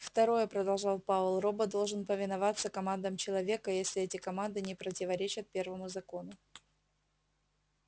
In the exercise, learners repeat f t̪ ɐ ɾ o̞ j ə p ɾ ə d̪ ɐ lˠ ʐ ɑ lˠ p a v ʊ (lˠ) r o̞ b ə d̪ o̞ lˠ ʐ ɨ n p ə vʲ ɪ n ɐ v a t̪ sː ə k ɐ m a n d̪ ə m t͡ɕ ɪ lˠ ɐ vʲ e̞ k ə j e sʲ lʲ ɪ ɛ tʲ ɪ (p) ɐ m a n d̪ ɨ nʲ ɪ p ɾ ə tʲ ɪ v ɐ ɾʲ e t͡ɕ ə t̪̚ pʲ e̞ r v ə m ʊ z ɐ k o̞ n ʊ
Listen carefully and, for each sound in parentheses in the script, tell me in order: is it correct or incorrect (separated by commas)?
correct, incorrect